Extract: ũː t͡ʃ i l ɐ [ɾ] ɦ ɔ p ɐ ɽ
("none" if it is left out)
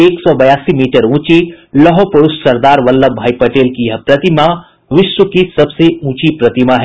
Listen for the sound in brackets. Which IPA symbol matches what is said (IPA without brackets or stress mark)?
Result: none